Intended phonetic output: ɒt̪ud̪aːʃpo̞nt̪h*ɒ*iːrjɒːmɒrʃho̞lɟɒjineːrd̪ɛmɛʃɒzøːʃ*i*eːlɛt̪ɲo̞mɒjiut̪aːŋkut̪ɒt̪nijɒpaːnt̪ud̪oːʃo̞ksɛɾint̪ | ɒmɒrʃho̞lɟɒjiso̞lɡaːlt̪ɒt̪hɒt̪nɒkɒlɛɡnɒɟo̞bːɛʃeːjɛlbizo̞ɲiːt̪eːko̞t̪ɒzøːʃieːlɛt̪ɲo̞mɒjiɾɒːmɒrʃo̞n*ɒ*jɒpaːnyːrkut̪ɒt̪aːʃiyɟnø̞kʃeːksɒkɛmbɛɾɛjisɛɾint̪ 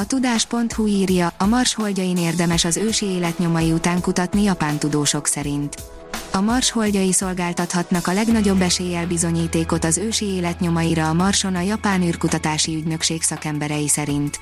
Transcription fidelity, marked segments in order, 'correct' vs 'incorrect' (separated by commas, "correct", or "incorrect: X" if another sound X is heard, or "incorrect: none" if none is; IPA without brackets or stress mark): incorrect: u, correct, correct